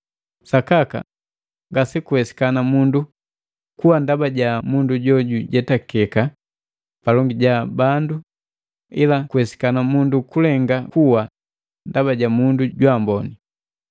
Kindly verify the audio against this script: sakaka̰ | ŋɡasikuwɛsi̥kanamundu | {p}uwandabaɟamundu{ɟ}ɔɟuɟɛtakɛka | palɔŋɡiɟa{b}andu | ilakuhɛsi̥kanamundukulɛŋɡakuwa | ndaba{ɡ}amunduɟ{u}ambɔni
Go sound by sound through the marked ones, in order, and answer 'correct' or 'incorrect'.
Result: incorrect: k, correct, correct, incorrect: ɟ, incorrect: w

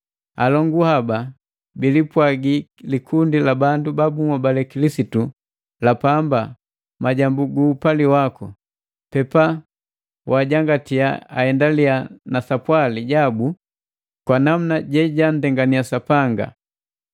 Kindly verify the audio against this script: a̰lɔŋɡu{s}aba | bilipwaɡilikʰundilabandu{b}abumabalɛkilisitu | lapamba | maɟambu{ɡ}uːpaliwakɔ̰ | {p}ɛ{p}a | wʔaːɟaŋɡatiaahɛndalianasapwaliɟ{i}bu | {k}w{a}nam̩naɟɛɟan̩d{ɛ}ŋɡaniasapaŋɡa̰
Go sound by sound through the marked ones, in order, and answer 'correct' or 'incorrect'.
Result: incorrect: h, correct, correct, correct, correct, incorrect: a, correct, correct, correct

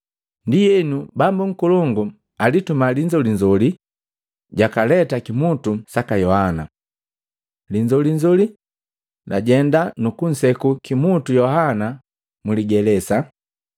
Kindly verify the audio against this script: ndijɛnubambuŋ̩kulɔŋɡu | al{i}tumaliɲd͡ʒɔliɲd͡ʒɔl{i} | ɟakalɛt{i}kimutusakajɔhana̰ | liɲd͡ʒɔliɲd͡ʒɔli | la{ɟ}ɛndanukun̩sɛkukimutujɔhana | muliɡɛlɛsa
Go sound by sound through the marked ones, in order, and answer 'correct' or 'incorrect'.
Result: correct, correct, incorrect: a, correct

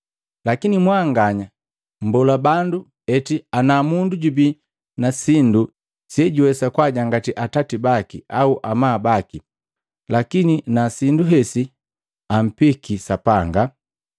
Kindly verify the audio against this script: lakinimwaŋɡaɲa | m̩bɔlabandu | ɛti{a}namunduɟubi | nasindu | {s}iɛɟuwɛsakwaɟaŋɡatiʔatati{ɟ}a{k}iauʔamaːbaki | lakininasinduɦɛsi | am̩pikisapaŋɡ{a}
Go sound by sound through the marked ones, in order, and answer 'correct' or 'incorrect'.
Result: correct, correct, incorrect: b, correct, correct

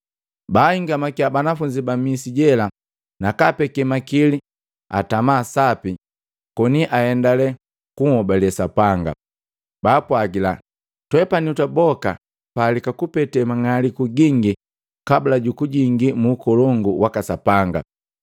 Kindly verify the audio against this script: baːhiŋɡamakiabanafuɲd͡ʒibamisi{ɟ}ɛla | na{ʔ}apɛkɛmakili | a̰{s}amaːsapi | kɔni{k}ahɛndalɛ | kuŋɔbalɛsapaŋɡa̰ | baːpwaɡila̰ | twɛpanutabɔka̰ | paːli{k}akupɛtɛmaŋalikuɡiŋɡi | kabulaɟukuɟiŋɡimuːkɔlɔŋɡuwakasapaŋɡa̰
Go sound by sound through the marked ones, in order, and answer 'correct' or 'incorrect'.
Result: correct, incorrect: k, incorrect: t, incorrect: ʔ, correct

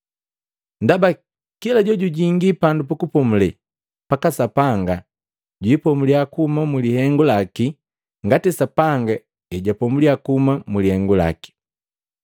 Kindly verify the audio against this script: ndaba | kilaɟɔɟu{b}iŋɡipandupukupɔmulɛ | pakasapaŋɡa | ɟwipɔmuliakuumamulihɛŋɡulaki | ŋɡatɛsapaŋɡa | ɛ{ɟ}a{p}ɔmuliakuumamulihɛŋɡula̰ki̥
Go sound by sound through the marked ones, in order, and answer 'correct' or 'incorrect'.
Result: incorrect: ɟ, correct, correct

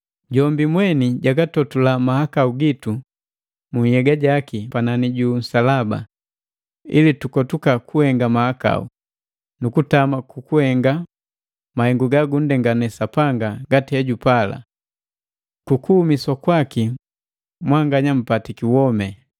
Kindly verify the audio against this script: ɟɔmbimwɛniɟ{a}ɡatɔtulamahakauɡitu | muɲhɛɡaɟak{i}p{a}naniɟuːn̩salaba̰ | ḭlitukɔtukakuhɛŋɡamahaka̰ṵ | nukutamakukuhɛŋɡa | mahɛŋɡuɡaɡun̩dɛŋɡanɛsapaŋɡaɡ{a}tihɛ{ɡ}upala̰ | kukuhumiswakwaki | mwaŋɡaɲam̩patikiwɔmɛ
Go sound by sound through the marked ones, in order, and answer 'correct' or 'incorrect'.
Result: correct, correct, correct, correct, incorrect: ɟ

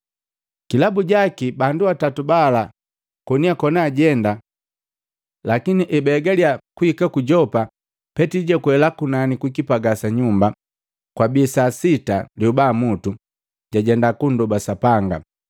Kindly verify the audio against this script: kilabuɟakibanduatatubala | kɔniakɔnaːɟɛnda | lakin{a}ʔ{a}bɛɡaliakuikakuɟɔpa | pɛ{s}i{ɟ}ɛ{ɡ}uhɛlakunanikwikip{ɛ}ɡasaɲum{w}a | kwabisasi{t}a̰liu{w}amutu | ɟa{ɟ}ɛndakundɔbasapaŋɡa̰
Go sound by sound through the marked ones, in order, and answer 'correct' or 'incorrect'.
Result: incorrect: i, incorrect: ɛ, incorrect: t, correct, incorrect: k, incorrect: a, incorrect: b, correct, incorrect: b, correct

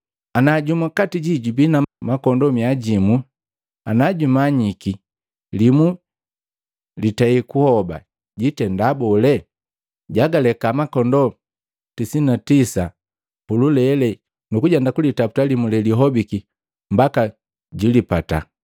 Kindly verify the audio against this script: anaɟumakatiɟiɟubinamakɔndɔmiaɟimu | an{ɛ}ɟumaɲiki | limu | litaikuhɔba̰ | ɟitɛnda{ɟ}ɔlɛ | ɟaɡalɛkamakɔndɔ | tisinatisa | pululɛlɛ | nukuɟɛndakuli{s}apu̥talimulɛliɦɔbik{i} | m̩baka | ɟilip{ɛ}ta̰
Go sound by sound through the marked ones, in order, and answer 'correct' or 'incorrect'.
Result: incorrect: a, incorrect: b, incorrect: t, correct, incorrect: a

